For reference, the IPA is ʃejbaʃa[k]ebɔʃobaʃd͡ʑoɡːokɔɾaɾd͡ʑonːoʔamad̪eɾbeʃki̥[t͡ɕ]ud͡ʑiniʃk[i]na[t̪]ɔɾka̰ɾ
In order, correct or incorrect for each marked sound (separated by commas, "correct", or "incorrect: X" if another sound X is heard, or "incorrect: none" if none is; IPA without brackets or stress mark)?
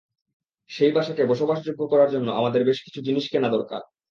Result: correct, incorrect: t͡ɕʰ, incorrect: e, incorrect: d̪